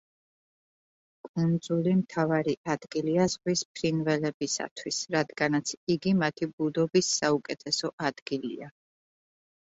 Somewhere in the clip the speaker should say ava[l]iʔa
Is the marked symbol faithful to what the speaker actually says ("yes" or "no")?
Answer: no